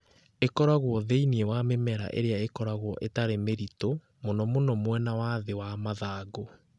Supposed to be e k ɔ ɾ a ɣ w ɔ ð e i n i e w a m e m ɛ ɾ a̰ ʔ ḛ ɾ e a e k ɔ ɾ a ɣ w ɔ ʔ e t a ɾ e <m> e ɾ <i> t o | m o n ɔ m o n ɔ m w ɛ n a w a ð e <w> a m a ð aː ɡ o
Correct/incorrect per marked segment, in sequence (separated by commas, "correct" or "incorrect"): correct, correct, correct